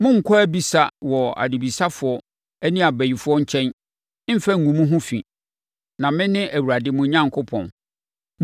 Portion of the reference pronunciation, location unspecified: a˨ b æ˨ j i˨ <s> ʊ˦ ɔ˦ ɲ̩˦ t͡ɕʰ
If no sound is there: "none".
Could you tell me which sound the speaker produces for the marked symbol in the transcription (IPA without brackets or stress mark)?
f